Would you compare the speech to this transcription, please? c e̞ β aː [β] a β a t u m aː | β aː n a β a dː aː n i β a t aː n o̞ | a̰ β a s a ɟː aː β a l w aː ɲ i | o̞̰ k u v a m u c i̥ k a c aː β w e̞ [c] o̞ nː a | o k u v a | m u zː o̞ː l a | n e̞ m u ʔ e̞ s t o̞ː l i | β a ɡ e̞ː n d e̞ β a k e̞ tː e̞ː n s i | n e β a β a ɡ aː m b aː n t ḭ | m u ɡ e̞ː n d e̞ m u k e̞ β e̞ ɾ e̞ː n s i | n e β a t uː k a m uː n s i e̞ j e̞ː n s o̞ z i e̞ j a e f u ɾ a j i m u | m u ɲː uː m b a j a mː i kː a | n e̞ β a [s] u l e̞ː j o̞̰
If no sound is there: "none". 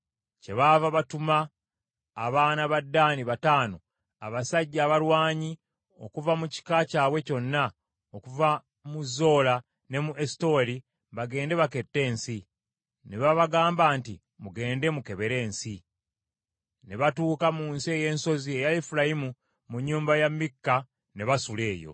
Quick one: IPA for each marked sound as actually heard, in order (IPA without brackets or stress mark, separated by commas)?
v, c, s